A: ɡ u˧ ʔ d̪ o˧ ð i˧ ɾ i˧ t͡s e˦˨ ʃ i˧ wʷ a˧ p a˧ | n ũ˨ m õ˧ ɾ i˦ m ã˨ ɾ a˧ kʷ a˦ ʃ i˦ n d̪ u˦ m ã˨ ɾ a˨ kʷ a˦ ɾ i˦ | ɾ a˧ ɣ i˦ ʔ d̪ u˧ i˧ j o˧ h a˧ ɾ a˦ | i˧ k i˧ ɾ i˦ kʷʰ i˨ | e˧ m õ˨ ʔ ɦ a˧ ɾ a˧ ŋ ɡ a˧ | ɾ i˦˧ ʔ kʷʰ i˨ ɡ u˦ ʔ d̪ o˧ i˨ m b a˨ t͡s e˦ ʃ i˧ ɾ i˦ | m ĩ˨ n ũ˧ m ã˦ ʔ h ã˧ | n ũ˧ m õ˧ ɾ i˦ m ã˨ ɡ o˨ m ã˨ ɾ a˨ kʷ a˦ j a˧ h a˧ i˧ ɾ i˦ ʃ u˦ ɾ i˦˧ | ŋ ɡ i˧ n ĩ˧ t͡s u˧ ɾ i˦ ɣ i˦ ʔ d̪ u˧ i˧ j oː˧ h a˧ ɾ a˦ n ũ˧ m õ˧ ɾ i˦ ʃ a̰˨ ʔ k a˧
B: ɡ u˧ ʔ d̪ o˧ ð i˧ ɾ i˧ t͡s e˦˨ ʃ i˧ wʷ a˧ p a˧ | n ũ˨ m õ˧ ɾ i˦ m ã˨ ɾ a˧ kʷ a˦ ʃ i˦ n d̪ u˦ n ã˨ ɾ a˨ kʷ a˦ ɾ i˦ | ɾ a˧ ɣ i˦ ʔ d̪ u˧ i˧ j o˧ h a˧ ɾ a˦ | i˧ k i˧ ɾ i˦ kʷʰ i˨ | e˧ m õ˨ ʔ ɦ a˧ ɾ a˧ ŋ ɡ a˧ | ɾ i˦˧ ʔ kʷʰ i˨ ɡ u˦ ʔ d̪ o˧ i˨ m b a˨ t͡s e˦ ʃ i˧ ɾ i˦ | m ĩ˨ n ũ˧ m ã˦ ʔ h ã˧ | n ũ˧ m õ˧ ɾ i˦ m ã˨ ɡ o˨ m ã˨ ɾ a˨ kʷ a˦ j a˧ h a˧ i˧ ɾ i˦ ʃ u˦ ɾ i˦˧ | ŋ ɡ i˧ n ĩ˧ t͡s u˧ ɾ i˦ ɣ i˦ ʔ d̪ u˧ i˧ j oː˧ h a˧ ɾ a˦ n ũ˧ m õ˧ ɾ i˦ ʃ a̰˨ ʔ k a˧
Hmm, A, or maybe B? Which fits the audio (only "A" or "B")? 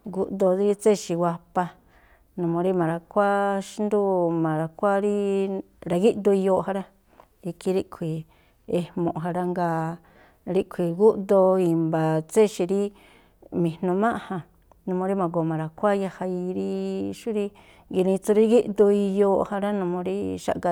A